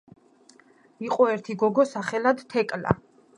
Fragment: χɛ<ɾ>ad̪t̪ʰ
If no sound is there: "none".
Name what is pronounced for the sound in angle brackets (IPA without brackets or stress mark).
l